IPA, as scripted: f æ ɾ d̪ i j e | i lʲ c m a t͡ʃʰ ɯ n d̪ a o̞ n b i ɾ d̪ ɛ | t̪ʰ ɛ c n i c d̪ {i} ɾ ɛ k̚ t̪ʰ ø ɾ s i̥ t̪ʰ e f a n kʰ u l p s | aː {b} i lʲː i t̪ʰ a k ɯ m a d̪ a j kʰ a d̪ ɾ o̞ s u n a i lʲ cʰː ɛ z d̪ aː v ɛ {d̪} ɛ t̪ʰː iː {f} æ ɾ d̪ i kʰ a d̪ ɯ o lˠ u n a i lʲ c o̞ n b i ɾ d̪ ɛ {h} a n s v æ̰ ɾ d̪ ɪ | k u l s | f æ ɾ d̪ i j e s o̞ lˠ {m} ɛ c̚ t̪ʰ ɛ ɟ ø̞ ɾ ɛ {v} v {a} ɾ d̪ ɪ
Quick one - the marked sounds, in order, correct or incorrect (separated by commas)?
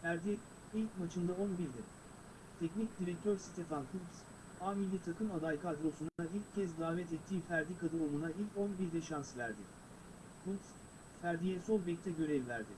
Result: correct, incorrect, incorrect, correct, incorrect, incorrect, correct, incorrect